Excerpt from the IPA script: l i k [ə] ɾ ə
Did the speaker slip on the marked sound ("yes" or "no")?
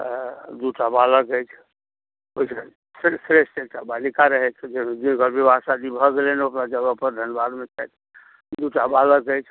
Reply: yes